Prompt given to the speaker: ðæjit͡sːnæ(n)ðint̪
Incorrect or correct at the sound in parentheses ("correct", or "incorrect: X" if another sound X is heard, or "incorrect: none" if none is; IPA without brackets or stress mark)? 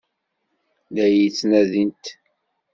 incorrect: none